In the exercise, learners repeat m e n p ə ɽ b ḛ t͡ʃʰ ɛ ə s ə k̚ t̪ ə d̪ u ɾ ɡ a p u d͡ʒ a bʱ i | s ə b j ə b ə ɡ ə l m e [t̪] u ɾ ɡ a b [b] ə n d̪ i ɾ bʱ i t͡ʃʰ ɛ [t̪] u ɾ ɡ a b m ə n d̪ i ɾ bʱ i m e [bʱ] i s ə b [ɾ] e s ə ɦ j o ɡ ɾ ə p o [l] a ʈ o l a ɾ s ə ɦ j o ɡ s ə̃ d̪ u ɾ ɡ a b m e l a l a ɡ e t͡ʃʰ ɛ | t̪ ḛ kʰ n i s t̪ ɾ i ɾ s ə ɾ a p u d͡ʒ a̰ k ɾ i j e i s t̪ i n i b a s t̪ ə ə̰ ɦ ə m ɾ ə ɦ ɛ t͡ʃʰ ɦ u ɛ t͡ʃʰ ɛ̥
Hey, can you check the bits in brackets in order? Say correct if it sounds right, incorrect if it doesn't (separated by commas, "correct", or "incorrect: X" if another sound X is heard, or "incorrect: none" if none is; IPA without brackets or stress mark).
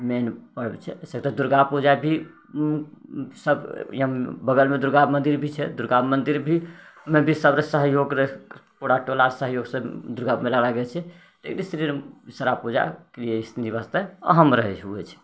incorrect: d̪, incorrect: m, incorrect: d̪, correct, correct, incorrect: ɽ